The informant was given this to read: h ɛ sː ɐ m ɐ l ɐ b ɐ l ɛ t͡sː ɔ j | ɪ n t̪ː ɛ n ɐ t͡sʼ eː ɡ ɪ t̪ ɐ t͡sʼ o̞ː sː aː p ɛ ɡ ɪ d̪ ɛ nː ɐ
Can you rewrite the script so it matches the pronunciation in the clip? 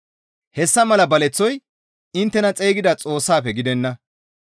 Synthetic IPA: h ɛ sː ɐ m ɐ l ɐ b ɐ l ɛ t͡sː ɔ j | ɪ n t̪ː ɛ n ɐ t͡sʼ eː ɡ ɪ d̪ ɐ t͡sʼ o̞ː sː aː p ɛ ɡ ɪ d̪ ɛ nː ɐ